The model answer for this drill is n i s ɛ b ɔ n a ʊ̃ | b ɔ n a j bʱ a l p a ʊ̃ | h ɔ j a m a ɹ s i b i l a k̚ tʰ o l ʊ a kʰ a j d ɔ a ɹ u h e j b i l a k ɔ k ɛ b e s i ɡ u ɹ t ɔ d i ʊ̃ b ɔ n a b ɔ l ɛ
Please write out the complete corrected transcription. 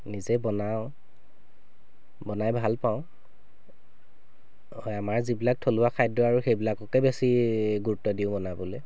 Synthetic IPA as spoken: n i z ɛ b ɔ n a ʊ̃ | b ɔ n a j bʱ a l p a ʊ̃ | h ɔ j a m a ɹ z i b i l a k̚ tʰ o l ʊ a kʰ a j d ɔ a ɹ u x e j b i l a k ɔ k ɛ b e s i ɡ u ɹ t ɔ d i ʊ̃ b ɔ n a b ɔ l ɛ

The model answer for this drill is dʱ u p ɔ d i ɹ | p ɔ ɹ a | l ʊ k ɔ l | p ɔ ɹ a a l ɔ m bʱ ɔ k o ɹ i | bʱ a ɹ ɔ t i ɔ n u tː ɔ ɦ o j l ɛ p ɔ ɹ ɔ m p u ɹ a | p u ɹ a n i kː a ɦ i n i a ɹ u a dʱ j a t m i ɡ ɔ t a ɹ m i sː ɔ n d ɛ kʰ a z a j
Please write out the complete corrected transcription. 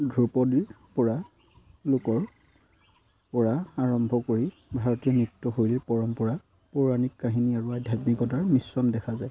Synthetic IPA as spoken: dʱ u p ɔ d i ɹ | p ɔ ɹ a | l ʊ k ɔ ɹ | p ɔ ɹ a a ɹ ɔ m bʱ ɔ k o ɹ i | bʱ a ɹ ɔ t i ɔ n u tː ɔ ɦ o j l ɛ p ɔ ɹ ɔ m p ɔ ɹ a | p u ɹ a n i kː a ɦ i n i a ɹ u a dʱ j a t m i k ɔ t a ɹ m i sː ɔ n d ɛ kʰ a z a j

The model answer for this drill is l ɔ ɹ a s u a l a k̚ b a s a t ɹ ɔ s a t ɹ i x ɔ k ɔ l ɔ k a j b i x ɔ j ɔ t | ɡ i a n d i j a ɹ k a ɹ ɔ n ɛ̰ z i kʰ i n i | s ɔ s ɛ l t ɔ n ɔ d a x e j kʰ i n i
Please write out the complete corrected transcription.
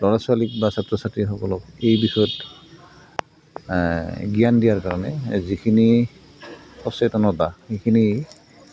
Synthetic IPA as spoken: l ɔ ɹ a s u a l i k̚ b a s a t ɹ ɔ s a t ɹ i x ɔ k ɔ l ɔ k e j b i x ɔ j ɔ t | ɡ i a n d i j a ɹ k a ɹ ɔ n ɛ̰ z i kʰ i n i | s ɔ s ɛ t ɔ n ɔ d a x e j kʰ i n i

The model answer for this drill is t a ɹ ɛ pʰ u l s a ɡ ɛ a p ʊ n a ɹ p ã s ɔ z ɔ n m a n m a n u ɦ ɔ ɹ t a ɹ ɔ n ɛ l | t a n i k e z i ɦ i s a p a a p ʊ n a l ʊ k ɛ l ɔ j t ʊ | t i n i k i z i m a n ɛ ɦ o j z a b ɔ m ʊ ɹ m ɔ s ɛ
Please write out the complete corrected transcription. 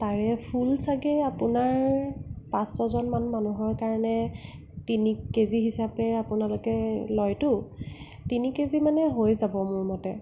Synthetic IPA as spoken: t a ɹ ɛ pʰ u l s a ɡ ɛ a p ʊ n a ɹ p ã s ɔ z ɔ n m a n m a n u ɦ ɔ ɹ k a ɹ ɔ n ɛ | t i n i k e z i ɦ i s a p ɛ a p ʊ n a l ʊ k ɛ l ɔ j t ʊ | t i n i k e z i m a n ɛ ɦ o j z a b ɔ m ʊ ɹ m ɔ t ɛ

